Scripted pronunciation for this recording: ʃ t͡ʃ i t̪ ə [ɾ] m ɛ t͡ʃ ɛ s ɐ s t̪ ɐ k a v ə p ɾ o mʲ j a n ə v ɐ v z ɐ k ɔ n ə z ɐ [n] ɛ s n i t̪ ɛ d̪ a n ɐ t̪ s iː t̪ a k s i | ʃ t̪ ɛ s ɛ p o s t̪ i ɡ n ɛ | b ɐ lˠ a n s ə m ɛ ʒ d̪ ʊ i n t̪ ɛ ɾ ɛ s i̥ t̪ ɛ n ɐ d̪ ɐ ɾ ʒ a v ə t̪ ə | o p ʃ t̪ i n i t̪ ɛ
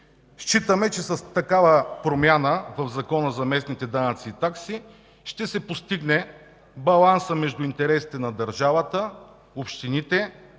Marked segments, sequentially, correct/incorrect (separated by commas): incorrect, incorrect